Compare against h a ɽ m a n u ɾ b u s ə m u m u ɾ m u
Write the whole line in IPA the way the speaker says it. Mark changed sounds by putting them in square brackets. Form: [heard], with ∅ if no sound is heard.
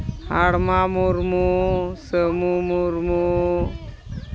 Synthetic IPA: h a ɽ m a [m] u ɾ [m] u s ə m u m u ɾ m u